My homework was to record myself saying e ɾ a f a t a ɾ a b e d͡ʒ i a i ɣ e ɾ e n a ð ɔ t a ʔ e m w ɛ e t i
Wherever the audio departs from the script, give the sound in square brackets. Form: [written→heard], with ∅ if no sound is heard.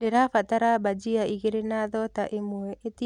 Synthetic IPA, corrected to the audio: e ɾ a f a t a ɾ a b [e→a] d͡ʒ i a i ɣ e ɾ e n a ð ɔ t a ʔ e m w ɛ e t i